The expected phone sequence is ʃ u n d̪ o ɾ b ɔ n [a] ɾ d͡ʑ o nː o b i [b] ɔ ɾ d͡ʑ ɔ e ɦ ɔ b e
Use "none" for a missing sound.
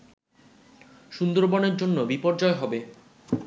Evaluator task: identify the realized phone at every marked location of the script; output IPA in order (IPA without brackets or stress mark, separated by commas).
e, p